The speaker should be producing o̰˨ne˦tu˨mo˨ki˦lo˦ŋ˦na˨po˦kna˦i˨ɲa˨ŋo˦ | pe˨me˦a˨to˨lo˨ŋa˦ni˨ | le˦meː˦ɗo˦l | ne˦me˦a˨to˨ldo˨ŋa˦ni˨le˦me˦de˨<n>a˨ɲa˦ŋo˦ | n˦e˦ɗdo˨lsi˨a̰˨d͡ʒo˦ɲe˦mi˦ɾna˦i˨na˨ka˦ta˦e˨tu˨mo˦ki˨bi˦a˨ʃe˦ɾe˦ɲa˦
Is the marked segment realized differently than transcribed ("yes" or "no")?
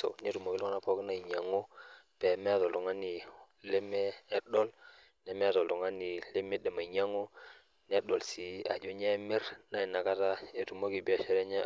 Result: yes